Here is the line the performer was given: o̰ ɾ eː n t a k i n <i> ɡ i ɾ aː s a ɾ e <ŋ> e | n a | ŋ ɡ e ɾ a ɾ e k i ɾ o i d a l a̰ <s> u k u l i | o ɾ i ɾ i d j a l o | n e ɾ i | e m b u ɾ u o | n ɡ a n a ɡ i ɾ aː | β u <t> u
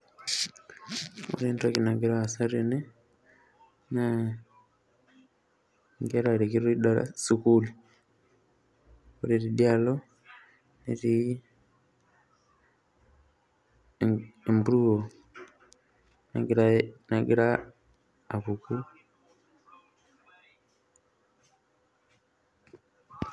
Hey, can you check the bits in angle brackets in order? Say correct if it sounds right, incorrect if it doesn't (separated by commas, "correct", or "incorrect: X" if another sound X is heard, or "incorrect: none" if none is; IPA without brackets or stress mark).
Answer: incorrect: a, incorrect: n, correct, incorrect: k